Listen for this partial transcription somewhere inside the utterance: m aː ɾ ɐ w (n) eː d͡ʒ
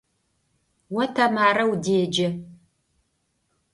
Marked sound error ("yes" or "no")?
yes